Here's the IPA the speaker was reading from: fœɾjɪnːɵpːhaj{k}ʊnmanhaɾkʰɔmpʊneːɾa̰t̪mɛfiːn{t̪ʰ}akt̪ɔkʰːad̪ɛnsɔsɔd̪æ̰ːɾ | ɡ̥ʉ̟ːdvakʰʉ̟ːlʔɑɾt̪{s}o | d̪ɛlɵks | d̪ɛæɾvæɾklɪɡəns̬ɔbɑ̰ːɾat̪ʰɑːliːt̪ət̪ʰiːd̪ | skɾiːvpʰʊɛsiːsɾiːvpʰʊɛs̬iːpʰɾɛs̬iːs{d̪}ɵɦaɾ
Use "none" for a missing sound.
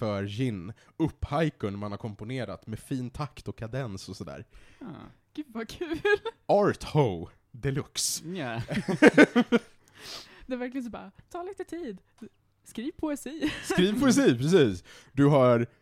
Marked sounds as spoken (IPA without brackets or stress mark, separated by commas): k, t̪ʰ, h, d̪